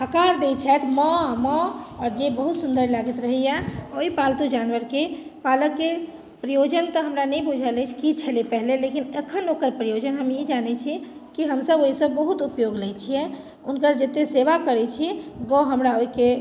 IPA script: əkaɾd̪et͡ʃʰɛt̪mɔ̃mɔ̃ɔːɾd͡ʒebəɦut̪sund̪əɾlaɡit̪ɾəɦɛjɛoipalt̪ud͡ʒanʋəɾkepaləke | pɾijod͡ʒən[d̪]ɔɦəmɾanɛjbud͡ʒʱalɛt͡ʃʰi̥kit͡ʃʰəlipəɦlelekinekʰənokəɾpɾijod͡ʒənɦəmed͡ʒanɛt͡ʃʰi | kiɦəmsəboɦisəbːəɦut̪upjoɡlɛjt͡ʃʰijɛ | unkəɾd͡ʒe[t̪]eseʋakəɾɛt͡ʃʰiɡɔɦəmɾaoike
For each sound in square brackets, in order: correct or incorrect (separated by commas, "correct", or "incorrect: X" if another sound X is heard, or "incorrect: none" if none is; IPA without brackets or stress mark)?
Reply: incorrect: t̪, correct